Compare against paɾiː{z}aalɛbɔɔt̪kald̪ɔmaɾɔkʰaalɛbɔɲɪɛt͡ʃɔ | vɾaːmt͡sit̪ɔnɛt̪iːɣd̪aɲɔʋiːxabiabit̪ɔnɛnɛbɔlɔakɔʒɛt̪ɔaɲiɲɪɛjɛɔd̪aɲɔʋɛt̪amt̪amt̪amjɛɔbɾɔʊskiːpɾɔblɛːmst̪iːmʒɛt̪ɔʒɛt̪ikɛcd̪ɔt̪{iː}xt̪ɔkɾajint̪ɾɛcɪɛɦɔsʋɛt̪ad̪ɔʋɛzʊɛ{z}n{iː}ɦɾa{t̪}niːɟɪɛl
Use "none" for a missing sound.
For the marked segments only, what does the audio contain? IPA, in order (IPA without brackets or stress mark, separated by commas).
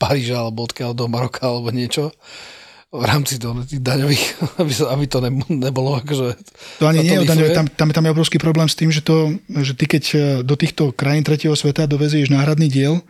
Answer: ʒ, iː, ʒ, aː, d̪